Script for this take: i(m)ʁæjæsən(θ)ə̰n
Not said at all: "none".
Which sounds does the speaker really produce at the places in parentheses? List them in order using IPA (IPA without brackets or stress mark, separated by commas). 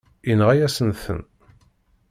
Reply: n, θ